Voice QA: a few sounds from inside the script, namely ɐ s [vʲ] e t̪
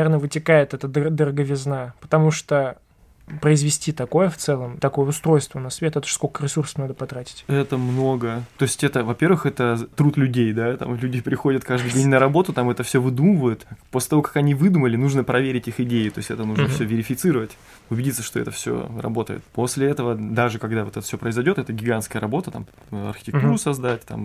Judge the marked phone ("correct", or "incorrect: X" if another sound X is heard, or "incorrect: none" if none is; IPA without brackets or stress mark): correct